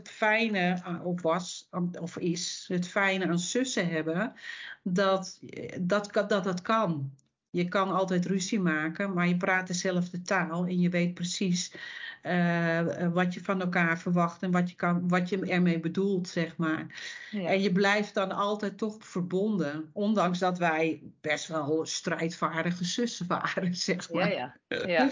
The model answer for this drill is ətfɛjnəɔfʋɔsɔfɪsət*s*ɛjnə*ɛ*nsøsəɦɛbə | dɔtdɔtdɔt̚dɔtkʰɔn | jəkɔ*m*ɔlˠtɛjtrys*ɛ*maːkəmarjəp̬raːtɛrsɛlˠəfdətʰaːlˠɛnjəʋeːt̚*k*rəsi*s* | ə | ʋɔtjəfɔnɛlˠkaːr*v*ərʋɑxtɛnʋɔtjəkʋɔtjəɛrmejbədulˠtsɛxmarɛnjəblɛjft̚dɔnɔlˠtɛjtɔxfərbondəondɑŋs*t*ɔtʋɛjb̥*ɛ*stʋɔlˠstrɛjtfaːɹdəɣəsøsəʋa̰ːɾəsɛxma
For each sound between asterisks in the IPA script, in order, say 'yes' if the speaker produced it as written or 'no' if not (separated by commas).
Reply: no, no, no, no, no, yes, no, no, yes